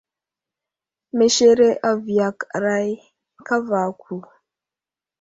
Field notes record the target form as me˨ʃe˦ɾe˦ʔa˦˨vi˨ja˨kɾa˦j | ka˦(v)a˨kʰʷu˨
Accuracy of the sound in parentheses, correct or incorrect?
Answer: correct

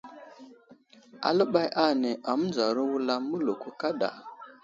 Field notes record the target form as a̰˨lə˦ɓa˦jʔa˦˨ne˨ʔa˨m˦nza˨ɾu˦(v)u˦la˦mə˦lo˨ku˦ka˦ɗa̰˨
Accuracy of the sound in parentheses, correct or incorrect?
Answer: incorrect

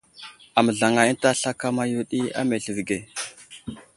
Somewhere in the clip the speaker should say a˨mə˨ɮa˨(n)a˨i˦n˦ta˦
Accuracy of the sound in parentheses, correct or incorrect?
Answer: incorrect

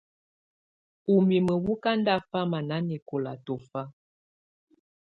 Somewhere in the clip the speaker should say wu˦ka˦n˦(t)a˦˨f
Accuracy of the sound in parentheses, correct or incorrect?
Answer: incorrect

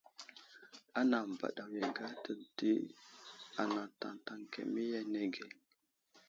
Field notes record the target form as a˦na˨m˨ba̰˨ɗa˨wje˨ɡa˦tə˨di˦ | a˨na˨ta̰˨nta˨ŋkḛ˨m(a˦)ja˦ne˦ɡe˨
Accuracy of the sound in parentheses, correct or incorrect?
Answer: incorrect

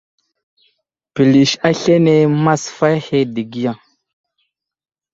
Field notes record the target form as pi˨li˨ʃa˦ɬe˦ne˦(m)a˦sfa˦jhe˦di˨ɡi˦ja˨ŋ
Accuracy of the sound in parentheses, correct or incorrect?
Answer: correct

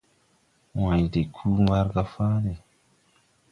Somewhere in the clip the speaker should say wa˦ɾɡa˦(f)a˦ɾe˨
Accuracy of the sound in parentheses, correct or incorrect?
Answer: correct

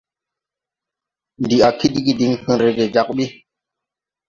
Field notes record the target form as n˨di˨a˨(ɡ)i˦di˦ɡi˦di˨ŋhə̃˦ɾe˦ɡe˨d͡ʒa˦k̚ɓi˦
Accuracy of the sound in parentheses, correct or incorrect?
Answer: incorrect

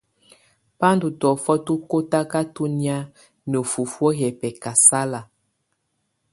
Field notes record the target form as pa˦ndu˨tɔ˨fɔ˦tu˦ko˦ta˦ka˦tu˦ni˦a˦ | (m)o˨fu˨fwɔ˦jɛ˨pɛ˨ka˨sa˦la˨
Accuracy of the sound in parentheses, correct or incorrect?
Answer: incorrect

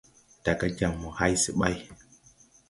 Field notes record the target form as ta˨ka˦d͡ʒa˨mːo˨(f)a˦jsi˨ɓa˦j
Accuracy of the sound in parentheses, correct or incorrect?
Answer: incorrect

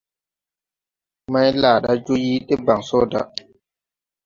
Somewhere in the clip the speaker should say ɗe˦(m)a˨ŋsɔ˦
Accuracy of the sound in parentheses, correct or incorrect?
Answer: incorrect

